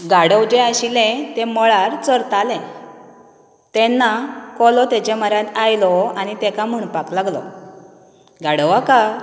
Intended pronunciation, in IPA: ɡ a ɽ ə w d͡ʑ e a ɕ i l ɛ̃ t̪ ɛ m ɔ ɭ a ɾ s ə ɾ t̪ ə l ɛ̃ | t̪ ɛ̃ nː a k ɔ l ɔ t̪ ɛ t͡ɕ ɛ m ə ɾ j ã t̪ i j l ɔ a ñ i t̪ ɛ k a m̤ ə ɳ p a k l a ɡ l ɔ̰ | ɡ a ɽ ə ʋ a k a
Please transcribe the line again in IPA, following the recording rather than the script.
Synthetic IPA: ɡ a ɽ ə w d͡ʑ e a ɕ i l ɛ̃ t̪ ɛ m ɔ ɭ a ɾ t͡s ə ɾ t̪ a l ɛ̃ | t̪ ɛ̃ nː a k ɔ l ɔ t̪ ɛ t͡ɕ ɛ m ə ɾ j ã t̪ a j l ɔ a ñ i t̪ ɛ k a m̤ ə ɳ p a k l a ɡ l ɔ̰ | ɡ a ɽ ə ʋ a k a

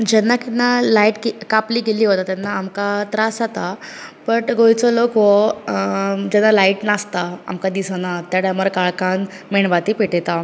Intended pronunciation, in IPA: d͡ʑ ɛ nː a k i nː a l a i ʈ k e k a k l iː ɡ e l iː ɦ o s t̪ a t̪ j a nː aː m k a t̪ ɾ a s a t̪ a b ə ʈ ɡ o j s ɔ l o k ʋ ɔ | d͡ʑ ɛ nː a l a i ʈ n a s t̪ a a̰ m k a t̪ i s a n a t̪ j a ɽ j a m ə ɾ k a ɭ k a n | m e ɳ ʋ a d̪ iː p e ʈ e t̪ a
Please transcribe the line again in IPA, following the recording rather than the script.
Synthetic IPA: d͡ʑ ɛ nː a k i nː a l a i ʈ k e k a p l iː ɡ e l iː ɦ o t̪ a t̪ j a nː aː m k a t̪ ɾ a s a t̪ a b ə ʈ ɡ o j t͡s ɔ l o k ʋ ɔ | d͡ʑ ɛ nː a l a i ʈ n a s t̪ a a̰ m k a d̪ i s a n a t̪ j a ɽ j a m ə ɾ k a ɭ k a n | m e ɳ ʋ a t̪ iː p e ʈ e t̪ a

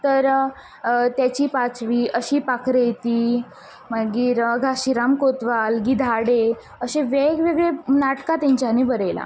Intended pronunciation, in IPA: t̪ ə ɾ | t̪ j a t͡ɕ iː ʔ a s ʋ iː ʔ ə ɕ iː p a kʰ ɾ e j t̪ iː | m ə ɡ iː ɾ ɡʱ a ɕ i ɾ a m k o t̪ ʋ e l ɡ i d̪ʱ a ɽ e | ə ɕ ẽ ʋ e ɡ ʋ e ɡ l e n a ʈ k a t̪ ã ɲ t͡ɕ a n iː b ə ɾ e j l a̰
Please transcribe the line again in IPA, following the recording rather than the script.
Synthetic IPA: t̪ ə ɾ | t̪ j a t͡ɕ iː p a t͡s ʋ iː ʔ ə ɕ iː p a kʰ ɾ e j t̪ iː | m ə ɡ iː ɾ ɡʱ a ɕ i ɾ a m k o t̪ ʋ a l ɡ i d̪ʱ a ɽ e | ə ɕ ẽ ʋ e ɡ ʋ e ɡ ɭ e n a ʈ k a t̪ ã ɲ t͡ɕ a n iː b ə ɾ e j l a̰

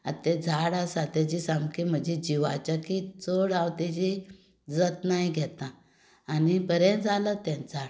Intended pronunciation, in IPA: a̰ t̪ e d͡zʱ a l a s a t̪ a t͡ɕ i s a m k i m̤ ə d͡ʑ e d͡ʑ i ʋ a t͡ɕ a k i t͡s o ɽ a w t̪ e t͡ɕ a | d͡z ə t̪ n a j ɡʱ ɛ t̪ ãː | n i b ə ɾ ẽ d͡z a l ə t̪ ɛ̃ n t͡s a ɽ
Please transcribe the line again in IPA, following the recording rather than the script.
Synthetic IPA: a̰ t̪ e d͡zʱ a ɽ a s a t̪ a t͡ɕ i s a m k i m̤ ə d͡ʑ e d͡ʑ i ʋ a t͡ɕ a k i t͡s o ɽ a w t̪ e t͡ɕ i | d͡z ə t̪ n a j ɡʱ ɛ t̪ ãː | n i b ə ɾ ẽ d͡z a l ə t̪ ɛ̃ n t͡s a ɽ

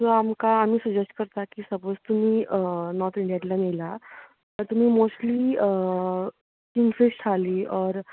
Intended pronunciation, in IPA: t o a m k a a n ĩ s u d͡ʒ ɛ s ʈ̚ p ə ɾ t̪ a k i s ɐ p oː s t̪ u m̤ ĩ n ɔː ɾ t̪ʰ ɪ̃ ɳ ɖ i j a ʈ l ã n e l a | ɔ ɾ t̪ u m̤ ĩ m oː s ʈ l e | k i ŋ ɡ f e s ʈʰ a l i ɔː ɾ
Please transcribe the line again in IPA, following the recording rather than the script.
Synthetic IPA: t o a m k a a m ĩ s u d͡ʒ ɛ s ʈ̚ k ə ɾ t̪ a k i s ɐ p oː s t̪ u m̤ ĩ n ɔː ɾ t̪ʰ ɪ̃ ɳ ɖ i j a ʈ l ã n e l a | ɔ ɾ t̪ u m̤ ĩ m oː s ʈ l i | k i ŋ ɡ f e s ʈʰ a l i ɔː ɾ

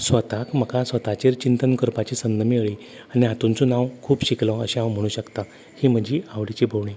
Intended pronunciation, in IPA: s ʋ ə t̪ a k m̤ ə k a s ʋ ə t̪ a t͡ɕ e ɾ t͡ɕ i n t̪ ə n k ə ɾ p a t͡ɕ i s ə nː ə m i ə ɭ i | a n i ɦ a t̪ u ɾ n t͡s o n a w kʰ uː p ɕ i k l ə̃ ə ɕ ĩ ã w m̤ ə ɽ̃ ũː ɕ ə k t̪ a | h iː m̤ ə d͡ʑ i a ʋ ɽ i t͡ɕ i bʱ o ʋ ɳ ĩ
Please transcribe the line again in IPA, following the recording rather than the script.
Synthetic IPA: s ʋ ə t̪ a k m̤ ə k a s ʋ ə t̪ a t͡ɕ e ɾ t͡ɕ i n t̪ ə n k ə ɾ p a t͡ɕ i s ə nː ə m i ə ɭ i | a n i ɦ a t̪ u n t͡s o n a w kʰ uː p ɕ i k l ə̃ ə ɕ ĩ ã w m̤ ə ɽ̃ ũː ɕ ə k t̪ a | h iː m̤ ə d͡ʑ i a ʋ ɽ i t͡ɕ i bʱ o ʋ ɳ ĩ

